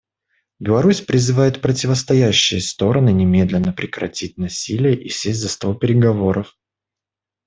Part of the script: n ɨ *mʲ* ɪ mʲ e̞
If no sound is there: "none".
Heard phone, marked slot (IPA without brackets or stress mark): nʲ